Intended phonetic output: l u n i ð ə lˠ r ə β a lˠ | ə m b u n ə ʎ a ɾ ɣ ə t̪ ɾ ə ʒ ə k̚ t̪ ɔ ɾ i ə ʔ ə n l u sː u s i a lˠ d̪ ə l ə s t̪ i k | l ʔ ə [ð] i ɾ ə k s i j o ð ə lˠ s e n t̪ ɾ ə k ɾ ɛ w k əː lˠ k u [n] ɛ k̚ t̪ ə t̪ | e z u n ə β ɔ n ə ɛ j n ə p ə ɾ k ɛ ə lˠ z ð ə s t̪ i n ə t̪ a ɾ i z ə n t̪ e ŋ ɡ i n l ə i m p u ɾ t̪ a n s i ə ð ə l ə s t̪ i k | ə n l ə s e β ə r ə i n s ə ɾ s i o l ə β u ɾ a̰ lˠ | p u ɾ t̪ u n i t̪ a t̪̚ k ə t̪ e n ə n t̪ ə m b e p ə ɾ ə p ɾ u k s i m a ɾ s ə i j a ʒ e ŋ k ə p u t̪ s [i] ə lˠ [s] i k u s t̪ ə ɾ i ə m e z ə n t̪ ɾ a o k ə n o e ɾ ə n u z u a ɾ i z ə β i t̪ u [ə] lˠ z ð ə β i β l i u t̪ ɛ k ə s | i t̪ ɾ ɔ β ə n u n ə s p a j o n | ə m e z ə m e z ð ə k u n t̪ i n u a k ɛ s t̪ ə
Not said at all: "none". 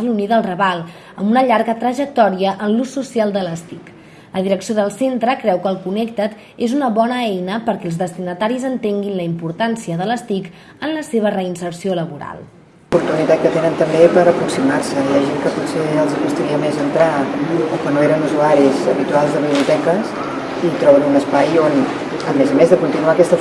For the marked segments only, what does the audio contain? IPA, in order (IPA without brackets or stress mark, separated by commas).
ð, n, e, z, a